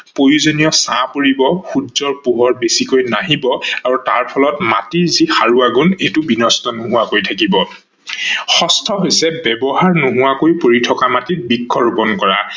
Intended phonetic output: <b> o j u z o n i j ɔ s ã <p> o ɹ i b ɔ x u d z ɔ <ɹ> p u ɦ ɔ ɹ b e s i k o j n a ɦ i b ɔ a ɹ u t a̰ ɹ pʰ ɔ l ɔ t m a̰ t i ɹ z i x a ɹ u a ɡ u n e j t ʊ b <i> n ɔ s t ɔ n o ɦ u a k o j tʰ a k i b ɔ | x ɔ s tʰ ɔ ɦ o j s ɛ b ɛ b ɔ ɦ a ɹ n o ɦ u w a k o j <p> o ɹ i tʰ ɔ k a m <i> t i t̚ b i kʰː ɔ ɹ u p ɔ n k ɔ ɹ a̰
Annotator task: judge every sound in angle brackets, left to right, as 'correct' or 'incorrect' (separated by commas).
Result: incorrect, correct, correct, correct, correct, incorrect